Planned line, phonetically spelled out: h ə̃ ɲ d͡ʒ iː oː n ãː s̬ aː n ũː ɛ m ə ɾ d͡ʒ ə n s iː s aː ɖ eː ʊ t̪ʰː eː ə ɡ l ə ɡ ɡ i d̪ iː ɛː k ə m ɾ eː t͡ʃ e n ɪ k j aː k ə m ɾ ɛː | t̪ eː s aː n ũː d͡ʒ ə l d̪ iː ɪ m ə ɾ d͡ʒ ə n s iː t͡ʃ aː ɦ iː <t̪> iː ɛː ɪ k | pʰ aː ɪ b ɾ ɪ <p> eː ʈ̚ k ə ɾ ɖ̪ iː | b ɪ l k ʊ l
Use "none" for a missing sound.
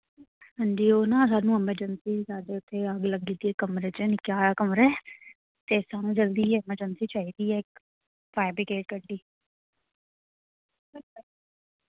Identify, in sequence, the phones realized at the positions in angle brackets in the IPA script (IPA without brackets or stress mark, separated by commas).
d̪, k